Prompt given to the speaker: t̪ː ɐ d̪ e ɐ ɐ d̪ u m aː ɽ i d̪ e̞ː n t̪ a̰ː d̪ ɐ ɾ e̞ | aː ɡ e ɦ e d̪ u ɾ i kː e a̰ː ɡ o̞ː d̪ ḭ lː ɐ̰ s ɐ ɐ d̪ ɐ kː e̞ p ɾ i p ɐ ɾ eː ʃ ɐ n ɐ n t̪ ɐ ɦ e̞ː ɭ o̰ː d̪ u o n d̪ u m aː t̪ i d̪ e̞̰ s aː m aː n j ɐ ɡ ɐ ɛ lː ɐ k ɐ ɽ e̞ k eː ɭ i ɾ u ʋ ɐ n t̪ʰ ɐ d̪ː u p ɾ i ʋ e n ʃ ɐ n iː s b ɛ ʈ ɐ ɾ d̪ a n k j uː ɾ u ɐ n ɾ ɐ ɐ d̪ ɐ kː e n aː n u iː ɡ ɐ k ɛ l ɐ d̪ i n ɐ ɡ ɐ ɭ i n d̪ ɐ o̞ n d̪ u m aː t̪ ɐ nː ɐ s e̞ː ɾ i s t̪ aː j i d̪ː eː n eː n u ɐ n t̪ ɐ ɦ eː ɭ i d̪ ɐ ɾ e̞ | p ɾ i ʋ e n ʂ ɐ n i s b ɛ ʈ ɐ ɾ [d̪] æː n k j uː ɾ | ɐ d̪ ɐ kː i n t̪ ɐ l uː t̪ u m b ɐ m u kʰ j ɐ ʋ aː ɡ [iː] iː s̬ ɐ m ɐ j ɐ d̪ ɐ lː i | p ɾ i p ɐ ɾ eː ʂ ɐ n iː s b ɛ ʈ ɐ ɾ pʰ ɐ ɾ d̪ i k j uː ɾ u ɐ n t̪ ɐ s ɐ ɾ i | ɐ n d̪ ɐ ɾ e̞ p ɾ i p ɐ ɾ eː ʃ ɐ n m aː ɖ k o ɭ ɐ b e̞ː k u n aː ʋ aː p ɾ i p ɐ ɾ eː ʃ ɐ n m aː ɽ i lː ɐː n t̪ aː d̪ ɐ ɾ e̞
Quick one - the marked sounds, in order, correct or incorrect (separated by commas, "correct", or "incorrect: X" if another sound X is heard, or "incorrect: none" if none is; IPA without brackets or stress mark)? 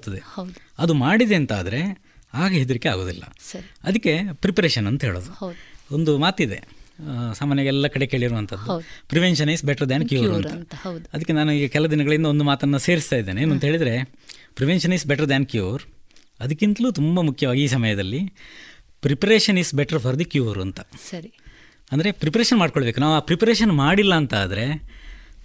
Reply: correct, incorrect: i